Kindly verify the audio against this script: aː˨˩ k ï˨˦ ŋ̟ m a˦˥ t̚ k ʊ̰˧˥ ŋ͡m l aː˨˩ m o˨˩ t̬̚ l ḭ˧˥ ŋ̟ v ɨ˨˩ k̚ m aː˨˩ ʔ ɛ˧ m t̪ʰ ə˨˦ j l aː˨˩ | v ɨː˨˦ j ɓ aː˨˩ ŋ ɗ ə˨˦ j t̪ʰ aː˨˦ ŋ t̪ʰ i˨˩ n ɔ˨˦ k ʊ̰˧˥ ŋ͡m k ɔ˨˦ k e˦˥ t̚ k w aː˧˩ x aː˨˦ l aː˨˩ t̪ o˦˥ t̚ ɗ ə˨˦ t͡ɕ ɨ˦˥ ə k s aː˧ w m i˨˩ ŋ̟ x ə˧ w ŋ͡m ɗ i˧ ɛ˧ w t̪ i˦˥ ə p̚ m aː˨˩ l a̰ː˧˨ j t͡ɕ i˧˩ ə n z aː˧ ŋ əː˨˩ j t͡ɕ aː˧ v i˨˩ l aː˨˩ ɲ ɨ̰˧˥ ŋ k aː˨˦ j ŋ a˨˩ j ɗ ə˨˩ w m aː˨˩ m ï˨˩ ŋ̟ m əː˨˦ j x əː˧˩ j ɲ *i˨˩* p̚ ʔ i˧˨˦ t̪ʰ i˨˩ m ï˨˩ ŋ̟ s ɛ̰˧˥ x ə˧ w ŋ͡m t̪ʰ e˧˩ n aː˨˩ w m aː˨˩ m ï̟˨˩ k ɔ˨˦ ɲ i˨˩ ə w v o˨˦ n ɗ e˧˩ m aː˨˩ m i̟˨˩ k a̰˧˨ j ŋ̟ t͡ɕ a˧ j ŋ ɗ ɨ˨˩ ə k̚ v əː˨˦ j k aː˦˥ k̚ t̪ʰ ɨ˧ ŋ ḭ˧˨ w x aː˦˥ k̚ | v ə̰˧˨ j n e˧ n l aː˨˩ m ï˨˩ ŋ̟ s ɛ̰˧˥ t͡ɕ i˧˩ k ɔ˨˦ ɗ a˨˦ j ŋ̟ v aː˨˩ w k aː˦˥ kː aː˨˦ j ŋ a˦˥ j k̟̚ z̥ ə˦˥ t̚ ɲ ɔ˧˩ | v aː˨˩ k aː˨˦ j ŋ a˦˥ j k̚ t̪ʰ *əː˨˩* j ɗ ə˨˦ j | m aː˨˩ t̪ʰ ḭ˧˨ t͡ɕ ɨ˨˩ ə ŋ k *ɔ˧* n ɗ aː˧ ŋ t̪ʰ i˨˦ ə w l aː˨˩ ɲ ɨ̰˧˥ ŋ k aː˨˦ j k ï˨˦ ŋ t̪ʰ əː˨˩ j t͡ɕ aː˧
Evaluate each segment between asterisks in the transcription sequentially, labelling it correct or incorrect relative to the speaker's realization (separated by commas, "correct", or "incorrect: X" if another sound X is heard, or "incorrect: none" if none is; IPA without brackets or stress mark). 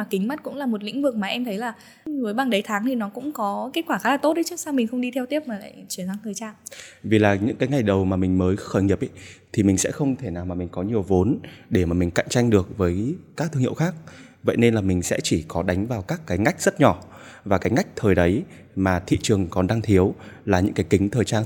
correct, correct, incorrect: ɔ˨˩